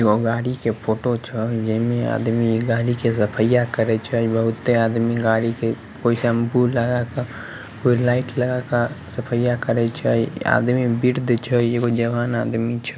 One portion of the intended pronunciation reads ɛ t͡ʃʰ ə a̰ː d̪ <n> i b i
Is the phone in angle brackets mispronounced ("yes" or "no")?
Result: yes